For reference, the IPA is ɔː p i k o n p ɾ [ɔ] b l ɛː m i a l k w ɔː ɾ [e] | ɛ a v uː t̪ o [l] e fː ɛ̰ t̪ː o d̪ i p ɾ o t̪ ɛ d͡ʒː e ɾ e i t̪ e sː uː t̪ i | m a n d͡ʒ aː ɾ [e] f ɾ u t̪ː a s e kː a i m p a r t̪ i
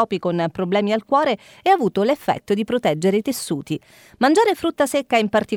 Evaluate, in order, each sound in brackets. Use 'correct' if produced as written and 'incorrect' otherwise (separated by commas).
incorrect, correct, correct, correct